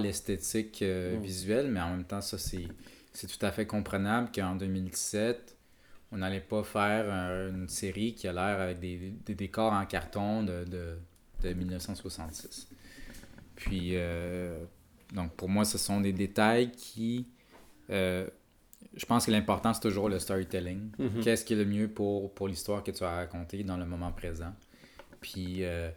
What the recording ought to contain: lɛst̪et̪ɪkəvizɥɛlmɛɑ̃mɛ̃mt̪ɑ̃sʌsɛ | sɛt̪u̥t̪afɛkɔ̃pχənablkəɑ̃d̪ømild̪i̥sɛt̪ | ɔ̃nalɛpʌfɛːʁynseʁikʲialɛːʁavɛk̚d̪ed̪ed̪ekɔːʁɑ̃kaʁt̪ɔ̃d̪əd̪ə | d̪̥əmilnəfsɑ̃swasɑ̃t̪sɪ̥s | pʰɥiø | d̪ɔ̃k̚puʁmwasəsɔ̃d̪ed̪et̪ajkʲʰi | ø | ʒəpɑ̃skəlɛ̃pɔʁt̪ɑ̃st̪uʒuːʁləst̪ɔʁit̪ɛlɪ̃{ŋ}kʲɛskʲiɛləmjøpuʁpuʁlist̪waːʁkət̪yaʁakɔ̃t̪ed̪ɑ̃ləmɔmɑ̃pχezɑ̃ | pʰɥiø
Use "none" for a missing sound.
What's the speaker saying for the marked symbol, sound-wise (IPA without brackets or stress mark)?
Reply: ŋ